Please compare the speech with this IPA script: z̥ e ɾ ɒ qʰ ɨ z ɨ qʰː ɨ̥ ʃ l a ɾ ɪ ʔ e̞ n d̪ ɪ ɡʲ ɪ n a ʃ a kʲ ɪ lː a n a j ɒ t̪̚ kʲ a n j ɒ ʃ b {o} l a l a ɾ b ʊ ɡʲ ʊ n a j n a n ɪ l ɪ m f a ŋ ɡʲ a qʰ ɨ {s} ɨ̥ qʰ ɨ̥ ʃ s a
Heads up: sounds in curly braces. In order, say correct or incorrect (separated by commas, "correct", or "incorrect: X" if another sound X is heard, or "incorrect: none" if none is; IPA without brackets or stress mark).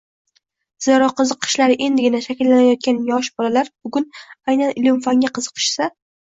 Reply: incorrect: ɒ, incorrect: z